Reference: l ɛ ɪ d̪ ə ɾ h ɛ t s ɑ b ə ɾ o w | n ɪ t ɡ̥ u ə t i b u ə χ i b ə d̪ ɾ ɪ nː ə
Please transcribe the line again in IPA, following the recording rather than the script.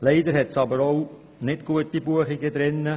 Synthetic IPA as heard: l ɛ ɪ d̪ ə ɾ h ɛ t s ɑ b ə ɾ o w | n ɪ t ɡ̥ u ə t i b u ə χ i ɡ ə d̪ ɾ ɪ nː ə